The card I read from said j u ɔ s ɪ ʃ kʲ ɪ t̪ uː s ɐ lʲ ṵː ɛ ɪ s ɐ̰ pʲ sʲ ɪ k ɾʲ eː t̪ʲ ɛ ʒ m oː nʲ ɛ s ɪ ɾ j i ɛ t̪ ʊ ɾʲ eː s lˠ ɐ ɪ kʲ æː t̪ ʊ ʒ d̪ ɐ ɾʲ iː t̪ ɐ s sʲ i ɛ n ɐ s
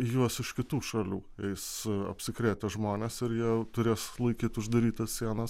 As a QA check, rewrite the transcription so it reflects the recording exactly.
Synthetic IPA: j u ɔ s ɪ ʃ kʲ ɪ t̪ uː ʃ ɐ lʲ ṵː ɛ ɪ s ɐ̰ pʲ sʲ ɪ k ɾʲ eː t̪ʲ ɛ ʒ m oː nʲ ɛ s ɪ ɾ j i ɛ t̪ ʊ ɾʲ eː s lˠ ɐ ɪ kʲ iː t̪ ʊ ʒ d̪ ɐ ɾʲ iː t̪ ɐ s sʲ i ɛ n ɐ s